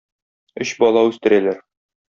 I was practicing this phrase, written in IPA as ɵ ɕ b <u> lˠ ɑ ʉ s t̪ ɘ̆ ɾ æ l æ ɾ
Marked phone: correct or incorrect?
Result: incorrect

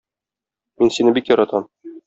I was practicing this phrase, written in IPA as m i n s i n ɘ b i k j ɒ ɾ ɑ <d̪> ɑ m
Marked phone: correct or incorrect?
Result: incorrect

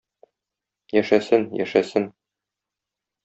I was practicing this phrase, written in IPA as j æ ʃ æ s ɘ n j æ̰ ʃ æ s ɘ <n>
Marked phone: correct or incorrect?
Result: correct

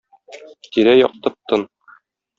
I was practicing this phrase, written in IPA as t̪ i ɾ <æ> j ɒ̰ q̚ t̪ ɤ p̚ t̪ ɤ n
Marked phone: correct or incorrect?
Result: correct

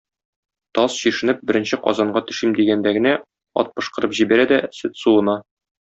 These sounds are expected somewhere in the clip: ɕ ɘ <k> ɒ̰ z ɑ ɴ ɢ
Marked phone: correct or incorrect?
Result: incorrect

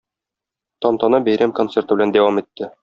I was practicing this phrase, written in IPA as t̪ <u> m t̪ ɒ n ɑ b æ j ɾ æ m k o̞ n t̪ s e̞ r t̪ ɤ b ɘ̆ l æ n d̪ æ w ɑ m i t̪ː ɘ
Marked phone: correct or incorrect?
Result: incorrect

